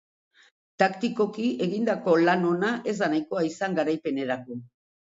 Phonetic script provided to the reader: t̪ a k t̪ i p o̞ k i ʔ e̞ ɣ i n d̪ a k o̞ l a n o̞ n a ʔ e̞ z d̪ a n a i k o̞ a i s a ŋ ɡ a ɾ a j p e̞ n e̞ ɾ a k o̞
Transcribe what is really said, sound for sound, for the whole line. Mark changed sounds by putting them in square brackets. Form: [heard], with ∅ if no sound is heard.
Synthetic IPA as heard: t̪ a k t̪ i [k] o̞ k i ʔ e̞ ɣ i n d̪ a k o̞ l a n o̞ n a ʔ e̞ z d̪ a n a [j] k o̞ a i s a ŋ ɡ a ɾ a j p e̞ n e̞ ɾ a k o̞

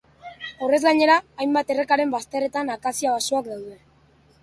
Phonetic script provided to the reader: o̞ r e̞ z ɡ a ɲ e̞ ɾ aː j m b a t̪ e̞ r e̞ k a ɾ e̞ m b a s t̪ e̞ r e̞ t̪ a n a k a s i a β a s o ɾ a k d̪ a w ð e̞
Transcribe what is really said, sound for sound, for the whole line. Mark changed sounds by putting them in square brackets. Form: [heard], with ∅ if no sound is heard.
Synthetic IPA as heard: o̞ r e̞ z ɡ a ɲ e̞ ɾ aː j m b a t̪ e̞ r e̞ k a ɾ e̞ m b a s t̪ e̞ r e̞ t̪ a n a k a s i a β a s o [∅] a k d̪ a w ð e̞

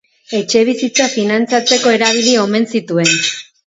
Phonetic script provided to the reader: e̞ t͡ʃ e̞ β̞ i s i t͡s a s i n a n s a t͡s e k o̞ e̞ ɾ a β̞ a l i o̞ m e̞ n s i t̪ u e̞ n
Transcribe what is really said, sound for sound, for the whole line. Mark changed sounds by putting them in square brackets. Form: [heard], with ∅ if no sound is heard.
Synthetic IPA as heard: e̞ t͡ʃ e̞ β̞ i s i t͡s a [f] i n a n [t͡s] a t͡s e k o̞ e̞ ɾ a β̞ [i] l i o̞ m e̞ n s i t̪ u e̞ n

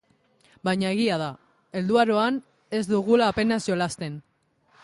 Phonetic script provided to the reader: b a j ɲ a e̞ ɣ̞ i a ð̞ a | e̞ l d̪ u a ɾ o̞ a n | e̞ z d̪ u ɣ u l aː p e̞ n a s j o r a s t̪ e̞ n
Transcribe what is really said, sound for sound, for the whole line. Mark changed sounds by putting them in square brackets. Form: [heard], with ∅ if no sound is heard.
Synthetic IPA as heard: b a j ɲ a e̞ ɣ̞ i a ð̞ a | e̞ l d̪ u a ɾ o̞ a n | e̞ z d̪ u ɣ u l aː p e̞ n a s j o [l] a s t̪ e̞ n

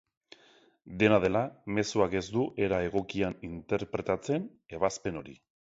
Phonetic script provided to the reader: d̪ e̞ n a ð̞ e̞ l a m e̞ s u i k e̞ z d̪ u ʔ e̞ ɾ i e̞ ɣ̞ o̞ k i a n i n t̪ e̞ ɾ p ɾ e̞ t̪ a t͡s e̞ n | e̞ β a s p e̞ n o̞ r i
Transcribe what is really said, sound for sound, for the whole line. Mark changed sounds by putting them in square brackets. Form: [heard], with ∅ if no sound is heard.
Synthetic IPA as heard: d̪ e̞ n a ð̞ e̞ l a m e̞ s u [a] k e̞ z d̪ u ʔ e̞ ɾ [a] e̞ ɣ̞ o̞ k i a n i n t̪ e̞ ɾ p ɾ e̞ t̪ a t͡s e̞ n | e̞ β a s p e̞ n o̞ [ɾ] i

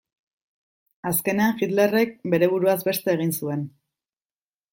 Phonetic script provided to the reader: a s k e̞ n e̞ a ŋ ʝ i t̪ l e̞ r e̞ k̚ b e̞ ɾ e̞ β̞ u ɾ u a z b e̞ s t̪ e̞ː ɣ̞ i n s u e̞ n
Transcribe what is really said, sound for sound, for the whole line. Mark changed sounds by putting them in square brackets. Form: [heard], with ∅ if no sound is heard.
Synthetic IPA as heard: a s k e̞ n e̞ a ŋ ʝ i t̪ l e̞ r e̞ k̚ b e̞ ɾ e̞ β̞ u ɾ u a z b e̞ s t̪ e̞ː ɣ̞ i n s u e̞ n

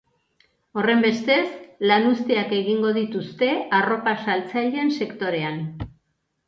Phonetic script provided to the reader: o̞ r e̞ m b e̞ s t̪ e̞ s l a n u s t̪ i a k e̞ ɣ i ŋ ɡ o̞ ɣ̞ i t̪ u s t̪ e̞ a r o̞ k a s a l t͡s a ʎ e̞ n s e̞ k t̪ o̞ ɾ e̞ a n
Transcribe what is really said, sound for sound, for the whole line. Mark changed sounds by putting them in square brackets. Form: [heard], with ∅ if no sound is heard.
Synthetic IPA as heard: o̞ r e̞ m b e̞ s t̪ e̞ s l a n u s t̪ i a k e̞ ɣ i ŋ ɡ o̞ [ð̞] i t̪ u s t̪ e̞ a r o̞ [p] a s a l t͡s a ʎ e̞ n s e̞ k t̪ o̞ ɾ e̞ a n

